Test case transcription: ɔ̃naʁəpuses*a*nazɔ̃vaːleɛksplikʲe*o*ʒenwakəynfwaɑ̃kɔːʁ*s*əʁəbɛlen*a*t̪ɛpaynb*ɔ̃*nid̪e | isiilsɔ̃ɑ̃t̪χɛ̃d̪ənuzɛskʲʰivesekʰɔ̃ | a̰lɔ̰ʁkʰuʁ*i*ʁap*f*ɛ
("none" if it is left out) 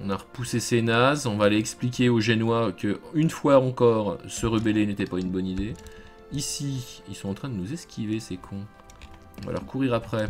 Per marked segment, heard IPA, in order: e, o, s, e, ɔ, i, χ

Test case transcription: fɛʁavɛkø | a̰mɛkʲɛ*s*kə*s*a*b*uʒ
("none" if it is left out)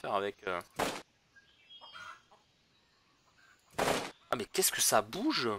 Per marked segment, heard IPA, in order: s, s, b

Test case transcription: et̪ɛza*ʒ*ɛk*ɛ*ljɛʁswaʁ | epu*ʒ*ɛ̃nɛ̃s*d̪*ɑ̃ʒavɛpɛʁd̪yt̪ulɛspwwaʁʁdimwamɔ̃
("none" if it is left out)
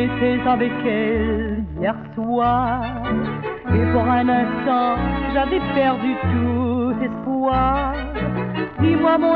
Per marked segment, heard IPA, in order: v, ɛ, ʁ, t̪

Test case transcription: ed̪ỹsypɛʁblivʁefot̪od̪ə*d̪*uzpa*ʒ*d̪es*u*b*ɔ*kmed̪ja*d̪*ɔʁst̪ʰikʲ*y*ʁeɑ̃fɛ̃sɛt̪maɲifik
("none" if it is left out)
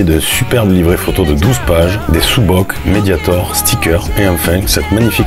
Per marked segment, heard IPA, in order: d̪, ʒ, u, ɔ, t̪, œ

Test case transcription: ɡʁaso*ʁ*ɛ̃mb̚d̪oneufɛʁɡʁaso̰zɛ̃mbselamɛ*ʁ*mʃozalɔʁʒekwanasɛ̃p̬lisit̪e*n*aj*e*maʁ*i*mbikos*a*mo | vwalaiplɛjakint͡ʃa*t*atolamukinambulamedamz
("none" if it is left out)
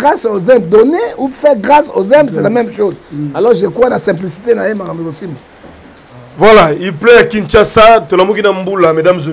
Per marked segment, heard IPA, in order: z, none, n, e, a, i, s

